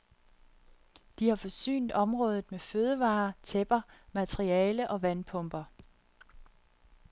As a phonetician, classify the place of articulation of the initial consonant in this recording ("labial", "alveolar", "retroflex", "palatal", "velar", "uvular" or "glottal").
alveolar